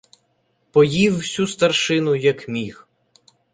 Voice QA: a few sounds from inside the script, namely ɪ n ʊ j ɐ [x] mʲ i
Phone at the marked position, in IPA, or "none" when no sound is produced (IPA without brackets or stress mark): k